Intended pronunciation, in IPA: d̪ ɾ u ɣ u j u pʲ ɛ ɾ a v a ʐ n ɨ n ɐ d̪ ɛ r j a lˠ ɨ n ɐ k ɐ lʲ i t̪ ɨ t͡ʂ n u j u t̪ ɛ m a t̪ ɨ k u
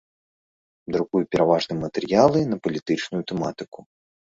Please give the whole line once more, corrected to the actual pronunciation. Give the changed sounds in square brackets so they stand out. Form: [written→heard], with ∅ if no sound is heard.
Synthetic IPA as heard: d̪ ɾ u ɣ u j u pʲ ɛ ɾ a v a ʐ n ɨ [n→m] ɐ [d̪→t̪] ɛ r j a lˠ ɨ n ɐ [k→p] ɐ lʲ i t̪ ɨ t͡ʂ n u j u t̪ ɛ m a t̪ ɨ k u